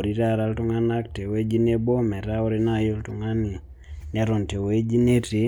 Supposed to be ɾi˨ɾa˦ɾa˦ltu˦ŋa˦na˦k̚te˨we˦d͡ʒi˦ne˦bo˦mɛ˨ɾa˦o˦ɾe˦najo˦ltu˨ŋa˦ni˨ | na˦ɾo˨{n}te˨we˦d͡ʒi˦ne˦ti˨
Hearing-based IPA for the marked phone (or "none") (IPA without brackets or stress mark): n